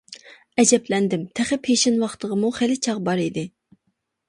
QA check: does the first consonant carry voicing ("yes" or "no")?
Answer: yes